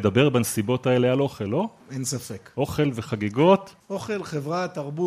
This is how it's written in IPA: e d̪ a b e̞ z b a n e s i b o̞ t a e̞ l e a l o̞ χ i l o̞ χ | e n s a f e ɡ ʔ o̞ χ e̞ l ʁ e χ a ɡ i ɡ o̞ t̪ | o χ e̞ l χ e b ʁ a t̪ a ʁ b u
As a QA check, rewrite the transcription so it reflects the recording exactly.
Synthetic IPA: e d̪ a b e̞ ʁ b a n e s i b o̞ t a e̞ l e a l o̞ χ e l o̞ | e n s a f e k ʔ o̞ χ e̞ l v e χ a ɡ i ɡ o̞ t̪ | o χ e̞ l χ e v ʁ a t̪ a ʁ b u